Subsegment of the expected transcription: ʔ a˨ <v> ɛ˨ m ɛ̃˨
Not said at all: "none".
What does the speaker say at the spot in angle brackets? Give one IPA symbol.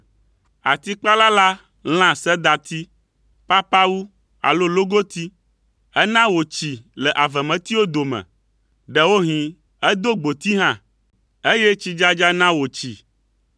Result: v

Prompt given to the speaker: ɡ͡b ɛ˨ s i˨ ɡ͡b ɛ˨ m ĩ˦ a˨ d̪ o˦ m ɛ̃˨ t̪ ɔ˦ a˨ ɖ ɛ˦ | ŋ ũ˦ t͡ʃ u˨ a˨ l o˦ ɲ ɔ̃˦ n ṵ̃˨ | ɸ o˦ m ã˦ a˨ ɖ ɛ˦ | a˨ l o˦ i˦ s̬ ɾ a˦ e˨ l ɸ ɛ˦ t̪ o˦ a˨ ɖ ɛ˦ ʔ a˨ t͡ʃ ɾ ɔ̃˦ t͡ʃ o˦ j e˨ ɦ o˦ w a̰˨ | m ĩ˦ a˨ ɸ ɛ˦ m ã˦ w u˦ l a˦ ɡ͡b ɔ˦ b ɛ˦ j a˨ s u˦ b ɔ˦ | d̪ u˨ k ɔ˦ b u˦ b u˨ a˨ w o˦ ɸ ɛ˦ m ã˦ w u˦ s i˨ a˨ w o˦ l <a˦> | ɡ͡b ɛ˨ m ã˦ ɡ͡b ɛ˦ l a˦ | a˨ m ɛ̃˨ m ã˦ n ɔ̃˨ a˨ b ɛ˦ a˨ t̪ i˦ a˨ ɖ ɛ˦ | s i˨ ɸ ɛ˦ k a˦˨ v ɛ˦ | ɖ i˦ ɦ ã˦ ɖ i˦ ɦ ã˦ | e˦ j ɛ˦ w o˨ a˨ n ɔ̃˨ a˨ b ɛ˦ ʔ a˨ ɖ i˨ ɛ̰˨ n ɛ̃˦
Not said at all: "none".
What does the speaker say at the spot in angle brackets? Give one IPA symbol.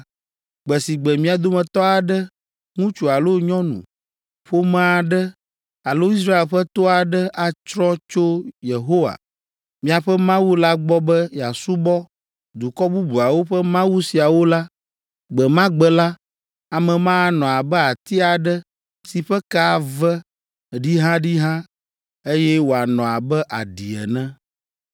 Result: a˦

